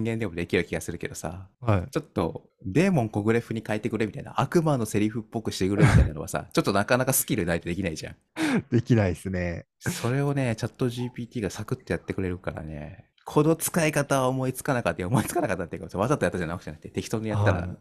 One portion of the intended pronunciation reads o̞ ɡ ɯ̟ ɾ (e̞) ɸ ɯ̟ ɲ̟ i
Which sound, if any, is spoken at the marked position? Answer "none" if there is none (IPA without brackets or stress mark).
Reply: e̞